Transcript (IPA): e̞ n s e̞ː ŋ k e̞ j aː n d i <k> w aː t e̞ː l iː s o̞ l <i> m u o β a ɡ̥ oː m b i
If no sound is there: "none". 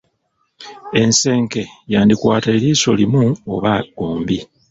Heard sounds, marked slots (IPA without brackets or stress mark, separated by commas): k, i